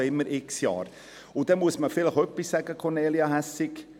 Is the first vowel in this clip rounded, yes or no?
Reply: no